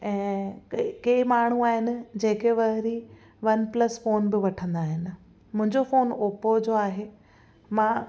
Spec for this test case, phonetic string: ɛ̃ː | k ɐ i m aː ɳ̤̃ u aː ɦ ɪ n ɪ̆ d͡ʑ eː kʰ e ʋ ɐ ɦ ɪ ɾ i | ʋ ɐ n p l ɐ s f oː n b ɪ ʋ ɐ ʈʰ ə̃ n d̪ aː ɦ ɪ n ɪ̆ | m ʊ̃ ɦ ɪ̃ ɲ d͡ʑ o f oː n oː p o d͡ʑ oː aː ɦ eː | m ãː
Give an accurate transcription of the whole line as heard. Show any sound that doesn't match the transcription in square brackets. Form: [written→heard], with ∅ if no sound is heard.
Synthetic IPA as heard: ɛ̃ː | k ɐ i m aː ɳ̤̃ u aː ɦ ɪ n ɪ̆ d͡ʑ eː [kʰ→k] e ʋ ɐ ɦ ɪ ɾ i | ʋ ɐ n p l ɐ s f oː n b ɪ ʋ ɐ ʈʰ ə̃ n d̪ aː ɦ ɪ n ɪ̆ | m ʊ̃ ɦ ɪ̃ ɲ d͡ʑ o f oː n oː p o d͡ʑ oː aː ɦ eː | m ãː